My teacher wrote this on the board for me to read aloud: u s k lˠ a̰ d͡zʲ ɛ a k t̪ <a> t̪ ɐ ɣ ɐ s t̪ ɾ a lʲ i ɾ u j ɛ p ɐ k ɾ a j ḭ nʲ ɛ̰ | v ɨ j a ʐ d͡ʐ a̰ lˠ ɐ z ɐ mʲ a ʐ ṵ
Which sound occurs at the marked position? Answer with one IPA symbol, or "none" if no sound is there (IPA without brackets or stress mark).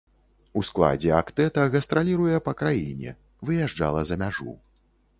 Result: ɛ